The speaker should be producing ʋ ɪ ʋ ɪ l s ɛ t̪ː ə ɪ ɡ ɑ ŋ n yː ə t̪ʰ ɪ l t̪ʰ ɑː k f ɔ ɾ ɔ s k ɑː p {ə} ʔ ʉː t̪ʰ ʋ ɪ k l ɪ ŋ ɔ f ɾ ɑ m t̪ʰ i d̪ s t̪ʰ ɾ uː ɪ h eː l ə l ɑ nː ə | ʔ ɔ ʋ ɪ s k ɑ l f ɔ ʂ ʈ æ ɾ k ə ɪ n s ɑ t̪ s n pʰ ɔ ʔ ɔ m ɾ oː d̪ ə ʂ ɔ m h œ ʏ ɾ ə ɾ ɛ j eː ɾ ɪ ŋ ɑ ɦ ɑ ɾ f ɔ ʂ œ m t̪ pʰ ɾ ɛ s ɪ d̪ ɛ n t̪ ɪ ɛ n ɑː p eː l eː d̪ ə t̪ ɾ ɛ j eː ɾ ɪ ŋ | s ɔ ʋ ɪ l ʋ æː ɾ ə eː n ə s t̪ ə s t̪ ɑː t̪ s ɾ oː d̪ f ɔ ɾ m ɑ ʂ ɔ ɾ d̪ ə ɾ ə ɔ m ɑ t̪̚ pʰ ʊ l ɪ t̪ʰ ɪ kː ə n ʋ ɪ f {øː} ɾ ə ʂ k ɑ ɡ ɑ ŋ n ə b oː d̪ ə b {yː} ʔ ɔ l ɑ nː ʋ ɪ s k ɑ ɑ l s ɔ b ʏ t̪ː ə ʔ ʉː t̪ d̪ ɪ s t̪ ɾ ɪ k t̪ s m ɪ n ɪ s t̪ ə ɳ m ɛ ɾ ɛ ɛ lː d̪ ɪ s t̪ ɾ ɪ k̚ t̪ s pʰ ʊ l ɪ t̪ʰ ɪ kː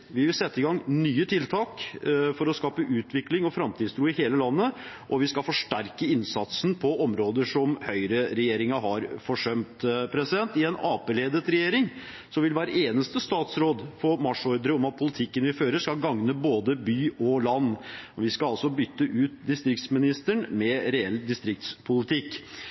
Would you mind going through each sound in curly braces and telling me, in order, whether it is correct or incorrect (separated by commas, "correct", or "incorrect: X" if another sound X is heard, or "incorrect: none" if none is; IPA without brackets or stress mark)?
correct, correct, correct